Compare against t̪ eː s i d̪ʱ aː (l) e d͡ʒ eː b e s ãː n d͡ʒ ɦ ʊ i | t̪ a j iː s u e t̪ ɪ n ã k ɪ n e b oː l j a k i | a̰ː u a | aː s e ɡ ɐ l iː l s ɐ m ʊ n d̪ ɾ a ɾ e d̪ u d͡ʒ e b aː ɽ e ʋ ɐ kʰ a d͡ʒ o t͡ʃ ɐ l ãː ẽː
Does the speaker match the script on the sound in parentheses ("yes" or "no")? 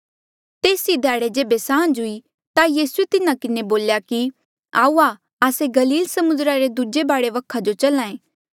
no